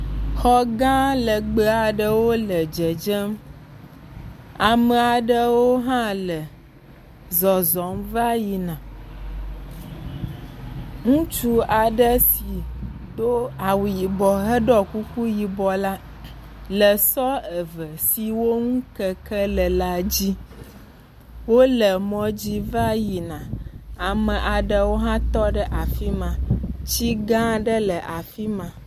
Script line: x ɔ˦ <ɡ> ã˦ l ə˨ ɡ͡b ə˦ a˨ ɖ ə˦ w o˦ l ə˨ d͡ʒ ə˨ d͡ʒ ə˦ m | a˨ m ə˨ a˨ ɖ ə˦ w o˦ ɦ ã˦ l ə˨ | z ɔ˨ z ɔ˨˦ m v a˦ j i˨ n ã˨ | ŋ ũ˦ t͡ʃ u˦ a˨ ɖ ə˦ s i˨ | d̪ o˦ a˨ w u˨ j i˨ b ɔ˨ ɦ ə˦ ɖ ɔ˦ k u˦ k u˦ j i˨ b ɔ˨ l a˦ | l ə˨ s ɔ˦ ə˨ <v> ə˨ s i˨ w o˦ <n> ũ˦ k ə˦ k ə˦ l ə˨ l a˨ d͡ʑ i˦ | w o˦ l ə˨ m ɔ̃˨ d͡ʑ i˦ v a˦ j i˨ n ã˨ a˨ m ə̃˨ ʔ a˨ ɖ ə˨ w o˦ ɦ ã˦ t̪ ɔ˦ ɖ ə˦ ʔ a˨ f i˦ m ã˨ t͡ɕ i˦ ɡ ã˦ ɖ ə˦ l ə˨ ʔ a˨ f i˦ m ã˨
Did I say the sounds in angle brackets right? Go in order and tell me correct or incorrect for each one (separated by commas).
correct, correct, incorrect